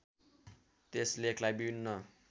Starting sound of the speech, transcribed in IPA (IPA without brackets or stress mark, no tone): t̪